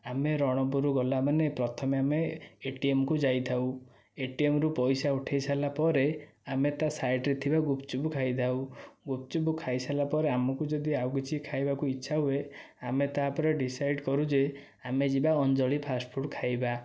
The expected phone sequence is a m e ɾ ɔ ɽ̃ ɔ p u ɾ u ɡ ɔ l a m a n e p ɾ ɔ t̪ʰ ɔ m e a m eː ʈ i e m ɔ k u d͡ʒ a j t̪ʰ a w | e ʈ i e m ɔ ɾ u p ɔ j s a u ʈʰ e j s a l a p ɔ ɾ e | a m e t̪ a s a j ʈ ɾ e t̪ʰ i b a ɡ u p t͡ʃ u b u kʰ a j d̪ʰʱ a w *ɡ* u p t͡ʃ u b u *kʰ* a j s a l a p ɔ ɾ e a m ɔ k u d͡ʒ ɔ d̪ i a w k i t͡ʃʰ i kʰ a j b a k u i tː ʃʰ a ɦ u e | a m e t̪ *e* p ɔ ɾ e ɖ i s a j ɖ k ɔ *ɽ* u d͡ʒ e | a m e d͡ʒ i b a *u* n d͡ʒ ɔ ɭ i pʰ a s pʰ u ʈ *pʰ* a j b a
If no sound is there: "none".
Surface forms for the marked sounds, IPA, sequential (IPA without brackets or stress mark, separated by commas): ɡ, kʰ, a, ɾ, ɔ, kʰ